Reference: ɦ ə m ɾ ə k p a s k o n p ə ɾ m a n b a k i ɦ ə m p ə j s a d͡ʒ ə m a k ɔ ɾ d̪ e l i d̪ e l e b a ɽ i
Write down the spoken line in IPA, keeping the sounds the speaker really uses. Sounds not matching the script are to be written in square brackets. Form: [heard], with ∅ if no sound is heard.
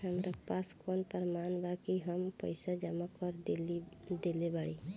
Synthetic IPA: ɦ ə m ɾ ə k p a s k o n p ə ɾ m a n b a k i ɦ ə m p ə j s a d͡ʒ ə m a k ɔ ɾ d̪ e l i d̪ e l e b a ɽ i

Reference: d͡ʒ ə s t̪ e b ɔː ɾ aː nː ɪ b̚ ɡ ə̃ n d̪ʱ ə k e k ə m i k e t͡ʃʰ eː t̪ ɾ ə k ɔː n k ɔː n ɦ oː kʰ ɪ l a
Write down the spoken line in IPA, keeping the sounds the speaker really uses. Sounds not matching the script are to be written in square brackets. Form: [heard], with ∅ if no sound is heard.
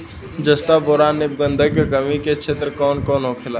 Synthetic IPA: d͡ʒ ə s t̪ [a] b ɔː ɾ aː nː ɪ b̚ ɡ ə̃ n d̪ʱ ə k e k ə m i k e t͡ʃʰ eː t̪ ɾ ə k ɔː n k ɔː n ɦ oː kʰ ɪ l a

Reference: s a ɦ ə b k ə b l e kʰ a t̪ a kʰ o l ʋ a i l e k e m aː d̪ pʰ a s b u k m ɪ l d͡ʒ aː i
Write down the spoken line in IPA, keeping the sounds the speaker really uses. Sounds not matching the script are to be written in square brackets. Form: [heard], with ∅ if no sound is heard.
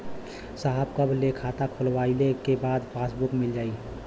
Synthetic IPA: s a ɦ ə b k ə b l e kʰ a t̪ a kʰ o l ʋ a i l e k e [b] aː d̪ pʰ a s b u k m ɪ l d͡ʒ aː i

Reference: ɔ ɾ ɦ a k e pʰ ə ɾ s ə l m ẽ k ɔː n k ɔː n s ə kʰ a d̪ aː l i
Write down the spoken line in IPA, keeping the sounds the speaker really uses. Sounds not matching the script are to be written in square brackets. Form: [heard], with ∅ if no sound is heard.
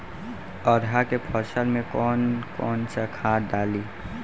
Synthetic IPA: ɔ ɾ ɦ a k e pʰ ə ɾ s ə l m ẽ k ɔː n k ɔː n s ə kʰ a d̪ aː l i

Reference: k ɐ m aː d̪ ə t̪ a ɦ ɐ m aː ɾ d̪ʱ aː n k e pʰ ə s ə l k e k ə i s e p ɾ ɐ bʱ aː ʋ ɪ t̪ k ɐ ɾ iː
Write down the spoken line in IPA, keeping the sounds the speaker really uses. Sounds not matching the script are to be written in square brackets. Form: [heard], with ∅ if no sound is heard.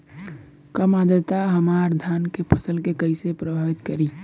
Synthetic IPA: k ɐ m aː d̪ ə t̪ a ɦ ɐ m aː ɾ d̪ʱ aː n k e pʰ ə s ə l k e k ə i s e p ɾ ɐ bʱ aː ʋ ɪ t̪ k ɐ ɾ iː

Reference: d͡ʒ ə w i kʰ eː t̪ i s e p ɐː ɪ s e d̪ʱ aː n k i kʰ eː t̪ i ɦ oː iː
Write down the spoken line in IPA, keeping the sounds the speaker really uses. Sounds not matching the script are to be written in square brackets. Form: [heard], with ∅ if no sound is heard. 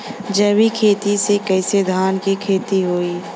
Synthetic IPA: d͡ʒ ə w i kʰ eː t̪ i s e [k] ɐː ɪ s e d̪ʱ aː n k i kʰ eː t̪ i ɦ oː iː

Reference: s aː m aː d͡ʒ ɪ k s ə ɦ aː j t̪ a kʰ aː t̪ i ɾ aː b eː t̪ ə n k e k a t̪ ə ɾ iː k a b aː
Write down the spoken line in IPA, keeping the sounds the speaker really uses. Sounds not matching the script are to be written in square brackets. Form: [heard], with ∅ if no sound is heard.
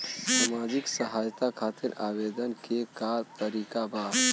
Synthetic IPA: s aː m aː d͡ʒ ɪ k s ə ɦ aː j t̪ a kʰ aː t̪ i ɾ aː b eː [d̪] ə n k e k a t̪ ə ɾ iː k a b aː

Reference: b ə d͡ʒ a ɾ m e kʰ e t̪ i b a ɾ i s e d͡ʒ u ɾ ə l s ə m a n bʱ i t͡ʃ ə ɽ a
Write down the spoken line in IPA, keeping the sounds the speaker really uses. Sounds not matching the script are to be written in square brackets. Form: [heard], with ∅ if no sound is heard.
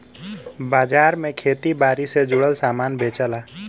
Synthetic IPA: b [a] d͡ʒ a ɾ m e kʰ e t̪ i b a ɾ i s e d͡ʒ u [ɽ] ə l s [a] m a n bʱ [e] t͡ʃ ə [l] a

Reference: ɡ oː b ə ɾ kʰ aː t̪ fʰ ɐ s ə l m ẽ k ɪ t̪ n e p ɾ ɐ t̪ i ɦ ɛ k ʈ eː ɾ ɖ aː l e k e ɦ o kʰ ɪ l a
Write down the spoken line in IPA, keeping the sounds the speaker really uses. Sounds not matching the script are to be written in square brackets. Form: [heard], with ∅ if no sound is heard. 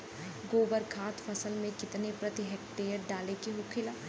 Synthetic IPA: ɡ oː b ə ɾ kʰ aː t̪ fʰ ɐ s ə l m ẽ k ɪ t̪ n e p ɾ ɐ t̪ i ɦ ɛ k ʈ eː ɾ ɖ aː l e k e ɦ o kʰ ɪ l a

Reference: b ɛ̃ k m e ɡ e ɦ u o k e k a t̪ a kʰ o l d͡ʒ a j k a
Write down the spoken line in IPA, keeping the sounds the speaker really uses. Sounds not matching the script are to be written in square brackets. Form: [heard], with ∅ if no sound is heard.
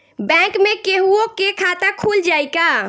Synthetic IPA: b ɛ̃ k m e [k] e ɦ u o k e [kʰ] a t̪ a kʰ [u] l d͡ʒ a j k a

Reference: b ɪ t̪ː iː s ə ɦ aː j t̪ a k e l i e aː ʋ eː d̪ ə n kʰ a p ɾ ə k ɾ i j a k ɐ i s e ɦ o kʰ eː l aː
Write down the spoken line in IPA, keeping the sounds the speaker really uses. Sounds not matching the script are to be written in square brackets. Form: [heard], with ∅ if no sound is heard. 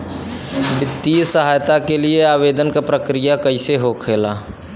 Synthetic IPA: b ɪ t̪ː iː s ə ɦ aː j t̪ a k e l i e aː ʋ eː d̪ ə n [k] a p ɾ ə k ɾ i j a k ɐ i s e ɦ o kʰ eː l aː

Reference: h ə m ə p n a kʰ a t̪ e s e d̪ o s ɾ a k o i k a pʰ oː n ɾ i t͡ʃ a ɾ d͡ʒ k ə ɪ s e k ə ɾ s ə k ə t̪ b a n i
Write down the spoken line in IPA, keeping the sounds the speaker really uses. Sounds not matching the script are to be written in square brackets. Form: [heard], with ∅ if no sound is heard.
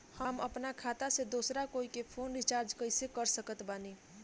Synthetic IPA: h ə m ə p n a kʰ a t̪ [a] s e d̪ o s ɾ a k o i k [e] pʰ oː n ɾ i t͡ʃ a ɾ d͡ʒ k ə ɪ s e k ə ɾ s ə k ə t̪ b a n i

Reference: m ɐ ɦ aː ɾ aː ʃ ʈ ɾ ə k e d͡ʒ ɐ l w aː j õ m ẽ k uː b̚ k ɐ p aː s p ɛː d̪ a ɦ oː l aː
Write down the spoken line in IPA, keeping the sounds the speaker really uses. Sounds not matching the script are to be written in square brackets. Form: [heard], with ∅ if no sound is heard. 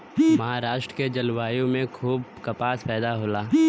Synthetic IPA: m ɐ ɦ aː ɾ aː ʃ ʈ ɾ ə k e d͡ʒ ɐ l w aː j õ m ẽ [kʰ] uː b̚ k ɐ p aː s p ɛː d̪ a ɦ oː l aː

